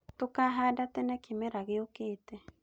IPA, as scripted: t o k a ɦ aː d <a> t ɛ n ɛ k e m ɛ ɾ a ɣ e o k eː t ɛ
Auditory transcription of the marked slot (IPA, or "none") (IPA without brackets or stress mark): a